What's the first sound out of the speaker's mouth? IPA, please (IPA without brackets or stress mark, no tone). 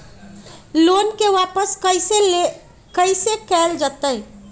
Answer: l